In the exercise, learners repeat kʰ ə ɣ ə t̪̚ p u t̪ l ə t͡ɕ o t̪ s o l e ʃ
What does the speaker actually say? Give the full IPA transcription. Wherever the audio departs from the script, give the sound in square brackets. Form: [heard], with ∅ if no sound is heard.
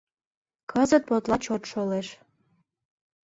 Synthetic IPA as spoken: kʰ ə [z] ə t̪̚ p [o] t̪ l [ɑ] t͡ɕ o t̪ [ʃ] o l e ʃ